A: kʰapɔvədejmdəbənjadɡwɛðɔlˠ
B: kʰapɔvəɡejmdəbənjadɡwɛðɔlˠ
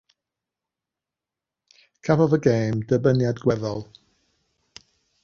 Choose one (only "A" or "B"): B